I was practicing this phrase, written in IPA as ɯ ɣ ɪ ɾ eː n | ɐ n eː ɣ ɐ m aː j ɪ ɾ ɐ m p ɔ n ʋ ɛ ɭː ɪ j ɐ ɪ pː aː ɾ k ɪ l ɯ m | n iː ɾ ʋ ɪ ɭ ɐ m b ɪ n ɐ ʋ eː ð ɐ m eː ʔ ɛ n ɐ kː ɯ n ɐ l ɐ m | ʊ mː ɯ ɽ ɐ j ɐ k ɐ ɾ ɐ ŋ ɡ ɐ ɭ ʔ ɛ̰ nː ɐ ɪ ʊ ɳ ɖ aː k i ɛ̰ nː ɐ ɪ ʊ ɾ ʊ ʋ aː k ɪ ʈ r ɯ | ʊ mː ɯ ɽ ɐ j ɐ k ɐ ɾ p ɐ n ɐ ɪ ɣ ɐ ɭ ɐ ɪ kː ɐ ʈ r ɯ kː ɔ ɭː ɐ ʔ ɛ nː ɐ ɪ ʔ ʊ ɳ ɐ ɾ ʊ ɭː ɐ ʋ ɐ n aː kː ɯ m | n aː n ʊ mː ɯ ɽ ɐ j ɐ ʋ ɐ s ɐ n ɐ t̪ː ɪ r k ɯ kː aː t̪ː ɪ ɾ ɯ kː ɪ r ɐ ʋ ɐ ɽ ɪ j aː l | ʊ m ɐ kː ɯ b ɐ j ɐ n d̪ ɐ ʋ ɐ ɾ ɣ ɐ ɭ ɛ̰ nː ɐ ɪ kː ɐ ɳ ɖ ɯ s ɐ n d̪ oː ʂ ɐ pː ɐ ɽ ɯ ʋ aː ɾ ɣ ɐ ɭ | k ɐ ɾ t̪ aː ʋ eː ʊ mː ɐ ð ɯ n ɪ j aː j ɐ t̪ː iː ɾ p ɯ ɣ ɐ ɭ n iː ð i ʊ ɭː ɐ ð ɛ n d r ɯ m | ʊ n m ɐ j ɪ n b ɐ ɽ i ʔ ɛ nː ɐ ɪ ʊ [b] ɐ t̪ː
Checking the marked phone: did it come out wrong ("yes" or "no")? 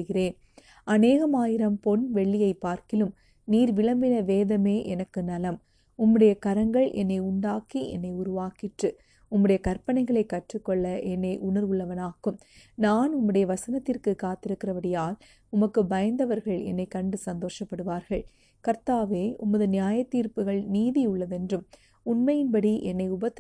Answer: no